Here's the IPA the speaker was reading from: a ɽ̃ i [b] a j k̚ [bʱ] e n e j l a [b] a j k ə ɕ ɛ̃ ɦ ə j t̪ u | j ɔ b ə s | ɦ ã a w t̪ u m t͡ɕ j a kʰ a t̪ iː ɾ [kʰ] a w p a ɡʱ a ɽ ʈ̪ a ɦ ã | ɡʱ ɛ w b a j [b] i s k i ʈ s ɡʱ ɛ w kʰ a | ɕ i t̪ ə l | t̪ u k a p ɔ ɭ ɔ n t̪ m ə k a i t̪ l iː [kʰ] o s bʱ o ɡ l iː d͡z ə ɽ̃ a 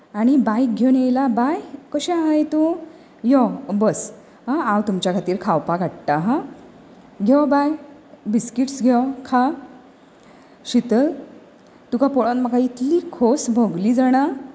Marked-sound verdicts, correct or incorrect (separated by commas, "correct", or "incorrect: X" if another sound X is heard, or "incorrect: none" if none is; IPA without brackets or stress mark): correct, incorrect: ɡʱ, correct, correct, correct, correct